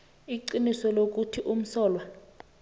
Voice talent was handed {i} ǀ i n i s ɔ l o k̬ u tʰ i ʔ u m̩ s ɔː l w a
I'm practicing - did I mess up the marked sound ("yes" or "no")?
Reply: no